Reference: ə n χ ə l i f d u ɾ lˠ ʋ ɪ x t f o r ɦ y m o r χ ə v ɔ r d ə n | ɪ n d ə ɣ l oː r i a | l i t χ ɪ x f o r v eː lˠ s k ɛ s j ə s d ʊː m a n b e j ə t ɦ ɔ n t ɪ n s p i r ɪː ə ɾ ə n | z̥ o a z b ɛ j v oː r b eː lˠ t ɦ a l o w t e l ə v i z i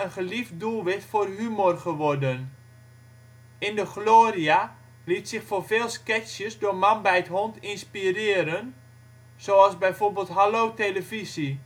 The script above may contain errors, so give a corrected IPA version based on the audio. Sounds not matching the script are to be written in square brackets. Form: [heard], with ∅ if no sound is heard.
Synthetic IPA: ə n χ ə l i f d u [∅] lˠ ʋ ɪ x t f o r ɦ y m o r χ ə [ʋ] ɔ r d ə n | ɪ n d ə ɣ l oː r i a | l i t [s] ɪ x f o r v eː lˠ s k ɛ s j ə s d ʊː m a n b [ɛ] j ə t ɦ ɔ n t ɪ n s p i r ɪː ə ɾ ə n | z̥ o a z b ɛ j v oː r b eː lˠ t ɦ a l o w t e l ə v i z i